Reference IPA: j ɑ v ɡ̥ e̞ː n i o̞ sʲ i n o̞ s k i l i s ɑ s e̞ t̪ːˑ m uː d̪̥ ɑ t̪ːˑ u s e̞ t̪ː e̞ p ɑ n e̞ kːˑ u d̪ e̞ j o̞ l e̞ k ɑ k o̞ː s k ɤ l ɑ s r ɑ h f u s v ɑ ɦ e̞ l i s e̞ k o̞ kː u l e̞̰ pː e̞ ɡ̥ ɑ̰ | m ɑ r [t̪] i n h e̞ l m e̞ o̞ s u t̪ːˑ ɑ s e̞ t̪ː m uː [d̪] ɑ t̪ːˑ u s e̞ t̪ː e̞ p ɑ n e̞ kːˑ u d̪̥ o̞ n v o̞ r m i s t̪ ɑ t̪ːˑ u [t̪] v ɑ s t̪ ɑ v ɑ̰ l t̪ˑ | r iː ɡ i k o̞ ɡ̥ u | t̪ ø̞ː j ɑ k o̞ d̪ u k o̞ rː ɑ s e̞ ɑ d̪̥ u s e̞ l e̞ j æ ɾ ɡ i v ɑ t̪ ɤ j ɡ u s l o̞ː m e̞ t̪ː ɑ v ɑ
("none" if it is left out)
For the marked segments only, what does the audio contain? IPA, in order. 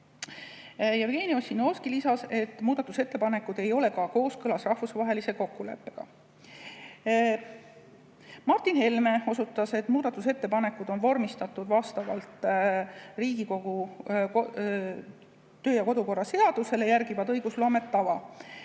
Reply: t̪, d̪, d̪

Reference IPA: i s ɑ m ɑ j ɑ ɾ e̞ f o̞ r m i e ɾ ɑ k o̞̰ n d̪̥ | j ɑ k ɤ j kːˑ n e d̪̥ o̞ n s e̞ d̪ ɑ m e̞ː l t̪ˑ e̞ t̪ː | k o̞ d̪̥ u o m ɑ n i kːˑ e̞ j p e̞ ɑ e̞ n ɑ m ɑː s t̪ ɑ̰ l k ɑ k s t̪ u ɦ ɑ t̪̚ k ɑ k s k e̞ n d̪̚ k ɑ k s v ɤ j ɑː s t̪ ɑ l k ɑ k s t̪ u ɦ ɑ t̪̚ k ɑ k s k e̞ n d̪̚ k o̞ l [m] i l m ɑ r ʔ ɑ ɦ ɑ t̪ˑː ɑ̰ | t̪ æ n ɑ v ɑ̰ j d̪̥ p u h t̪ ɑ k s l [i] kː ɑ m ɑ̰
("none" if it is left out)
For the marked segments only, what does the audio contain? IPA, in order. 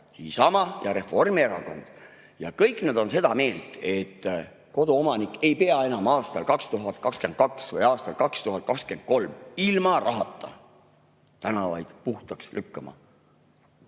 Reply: m, y

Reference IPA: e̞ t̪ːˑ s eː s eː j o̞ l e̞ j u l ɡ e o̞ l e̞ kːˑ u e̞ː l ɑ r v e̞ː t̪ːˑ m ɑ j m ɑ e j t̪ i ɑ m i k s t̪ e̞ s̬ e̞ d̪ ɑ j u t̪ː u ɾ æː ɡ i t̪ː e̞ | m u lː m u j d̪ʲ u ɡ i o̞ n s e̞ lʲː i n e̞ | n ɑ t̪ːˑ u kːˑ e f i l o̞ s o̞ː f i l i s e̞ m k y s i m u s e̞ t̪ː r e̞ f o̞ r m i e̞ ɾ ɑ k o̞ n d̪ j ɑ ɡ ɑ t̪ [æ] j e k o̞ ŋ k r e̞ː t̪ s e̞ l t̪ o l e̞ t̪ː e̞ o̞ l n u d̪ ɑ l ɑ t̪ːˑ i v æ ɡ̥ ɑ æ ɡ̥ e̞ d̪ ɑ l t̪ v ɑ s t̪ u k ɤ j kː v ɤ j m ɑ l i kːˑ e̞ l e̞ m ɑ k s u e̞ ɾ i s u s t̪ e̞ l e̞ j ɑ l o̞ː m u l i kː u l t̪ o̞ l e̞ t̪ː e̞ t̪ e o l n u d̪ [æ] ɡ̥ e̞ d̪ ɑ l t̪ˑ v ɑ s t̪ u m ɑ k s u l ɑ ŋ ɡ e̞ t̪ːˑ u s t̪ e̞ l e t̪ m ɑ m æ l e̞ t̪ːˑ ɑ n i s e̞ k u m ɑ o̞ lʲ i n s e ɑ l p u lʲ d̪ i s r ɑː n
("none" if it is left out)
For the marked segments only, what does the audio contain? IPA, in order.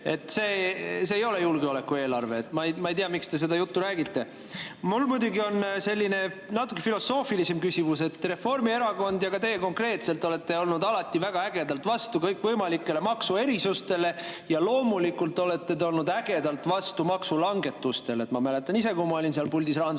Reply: e, æ

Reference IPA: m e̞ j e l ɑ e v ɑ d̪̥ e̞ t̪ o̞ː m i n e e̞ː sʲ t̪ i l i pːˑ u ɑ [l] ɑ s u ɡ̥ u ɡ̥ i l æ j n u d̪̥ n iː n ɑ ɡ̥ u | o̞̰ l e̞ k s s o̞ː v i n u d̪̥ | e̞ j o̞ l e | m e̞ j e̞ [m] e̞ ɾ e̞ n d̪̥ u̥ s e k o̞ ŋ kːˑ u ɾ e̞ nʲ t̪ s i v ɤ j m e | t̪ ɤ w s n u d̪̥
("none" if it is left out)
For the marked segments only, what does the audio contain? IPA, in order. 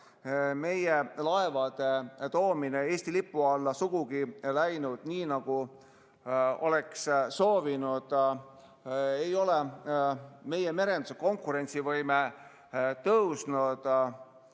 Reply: lː, m

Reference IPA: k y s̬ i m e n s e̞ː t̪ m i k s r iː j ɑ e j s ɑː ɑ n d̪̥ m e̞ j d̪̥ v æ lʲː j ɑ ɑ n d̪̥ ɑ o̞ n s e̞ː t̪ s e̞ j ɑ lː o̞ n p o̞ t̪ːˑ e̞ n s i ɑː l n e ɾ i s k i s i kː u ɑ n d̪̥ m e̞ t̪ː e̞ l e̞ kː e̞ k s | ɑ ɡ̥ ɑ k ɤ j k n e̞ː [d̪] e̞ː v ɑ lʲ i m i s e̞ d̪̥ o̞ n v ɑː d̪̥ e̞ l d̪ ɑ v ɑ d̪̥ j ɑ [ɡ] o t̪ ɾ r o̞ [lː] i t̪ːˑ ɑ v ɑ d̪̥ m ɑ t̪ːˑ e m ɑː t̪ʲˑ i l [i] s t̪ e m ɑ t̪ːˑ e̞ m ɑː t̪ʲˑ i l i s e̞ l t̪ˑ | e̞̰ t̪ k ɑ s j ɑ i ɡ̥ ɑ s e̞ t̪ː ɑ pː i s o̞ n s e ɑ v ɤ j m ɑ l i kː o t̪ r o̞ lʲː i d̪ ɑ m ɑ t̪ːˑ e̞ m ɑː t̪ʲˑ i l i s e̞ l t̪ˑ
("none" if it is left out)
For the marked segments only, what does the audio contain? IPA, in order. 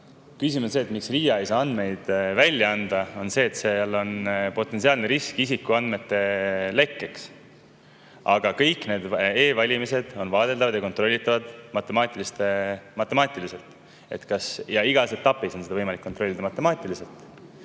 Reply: d̪, k, lː, i

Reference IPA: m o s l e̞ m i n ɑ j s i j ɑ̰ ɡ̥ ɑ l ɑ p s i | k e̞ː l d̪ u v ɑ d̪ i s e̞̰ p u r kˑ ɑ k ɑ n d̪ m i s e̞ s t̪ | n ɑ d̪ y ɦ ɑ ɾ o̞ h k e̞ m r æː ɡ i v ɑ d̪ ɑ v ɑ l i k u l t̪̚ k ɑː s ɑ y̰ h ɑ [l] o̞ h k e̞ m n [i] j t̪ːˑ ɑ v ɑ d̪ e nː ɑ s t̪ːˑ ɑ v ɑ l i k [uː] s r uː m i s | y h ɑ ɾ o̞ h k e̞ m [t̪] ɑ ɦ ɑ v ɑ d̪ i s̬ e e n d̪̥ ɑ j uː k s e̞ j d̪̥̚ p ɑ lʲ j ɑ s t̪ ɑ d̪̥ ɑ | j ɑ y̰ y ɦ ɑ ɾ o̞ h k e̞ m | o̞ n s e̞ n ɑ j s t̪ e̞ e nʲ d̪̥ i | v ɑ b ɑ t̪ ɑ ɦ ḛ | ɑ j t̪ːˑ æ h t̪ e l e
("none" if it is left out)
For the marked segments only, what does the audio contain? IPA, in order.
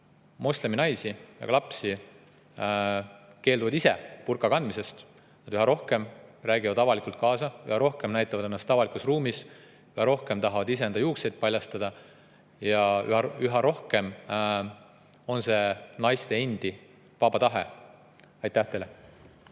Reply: ɾ, æ, u, t̪

